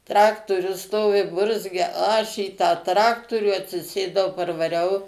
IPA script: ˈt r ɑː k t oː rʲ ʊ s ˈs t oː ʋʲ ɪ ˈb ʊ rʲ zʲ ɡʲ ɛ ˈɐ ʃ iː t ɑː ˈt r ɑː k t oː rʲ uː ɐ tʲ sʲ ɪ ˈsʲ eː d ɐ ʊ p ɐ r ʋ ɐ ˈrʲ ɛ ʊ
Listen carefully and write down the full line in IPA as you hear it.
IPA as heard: ˈt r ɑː k t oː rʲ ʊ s ˈs t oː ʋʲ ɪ ˈb ʊ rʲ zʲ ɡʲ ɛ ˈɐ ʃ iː t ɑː ˈt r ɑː k t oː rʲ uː ɐ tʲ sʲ ɪ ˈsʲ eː d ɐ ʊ p ɐ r ʋ ɐ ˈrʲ ɛ ʊ